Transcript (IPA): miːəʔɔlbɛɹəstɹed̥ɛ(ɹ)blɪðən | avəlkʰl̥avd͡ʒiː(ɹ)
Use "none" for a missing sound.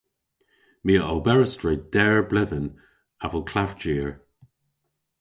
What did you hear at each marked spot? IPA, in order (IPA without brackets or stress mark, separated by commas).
ɹ, ɹ